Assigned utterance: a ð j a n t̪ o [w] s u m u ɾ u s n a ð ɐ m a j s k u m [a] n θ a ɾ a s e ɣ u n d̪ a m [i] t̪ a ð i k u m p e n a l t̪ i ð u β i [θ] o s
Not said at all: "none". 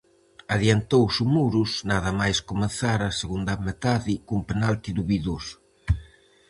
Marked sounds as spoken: w, e, e, ð

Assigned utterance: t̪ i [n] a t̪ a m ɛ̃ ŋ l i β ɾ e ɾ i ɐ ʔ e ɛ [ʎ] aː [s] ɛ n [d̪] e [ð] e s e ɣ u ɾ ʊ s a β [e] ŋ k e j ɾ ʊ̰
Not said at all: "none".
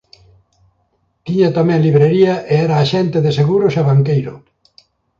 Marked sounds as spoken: ɲ, ɾ, ʃ, t̪, ð, a

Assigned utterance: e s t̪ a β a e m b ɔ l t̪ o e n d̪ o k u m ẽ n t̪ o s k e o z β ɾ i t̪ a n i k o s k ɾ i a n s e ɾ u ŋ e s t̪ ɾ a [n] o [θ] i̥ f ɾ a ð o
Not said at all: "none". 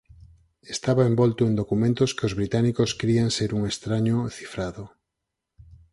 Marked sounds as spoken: ɲ, θ

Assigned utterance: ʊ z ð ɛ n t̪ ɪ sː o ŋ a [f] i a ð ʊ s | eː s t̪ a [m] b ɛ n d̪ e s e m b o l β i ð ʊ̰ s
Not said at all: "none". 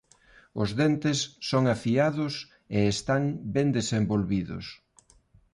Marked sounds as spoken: f, ŋ

